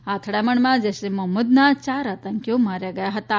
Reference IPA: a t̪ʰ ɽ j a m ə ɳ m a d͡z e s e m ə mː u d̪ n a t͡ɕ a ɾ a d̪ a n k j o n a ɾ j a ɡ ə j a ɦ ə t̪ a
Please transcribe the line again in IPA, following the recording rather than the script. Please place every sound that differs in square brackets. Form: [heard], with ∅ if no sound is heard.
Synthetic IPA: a t̪ʰ ɽ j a m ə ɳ m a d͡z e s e m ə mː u d̪ n a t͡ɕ a ɾ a [t̪] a [ŋ] k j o [m] a ɾ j a ɡ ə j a ɦ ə t̪ a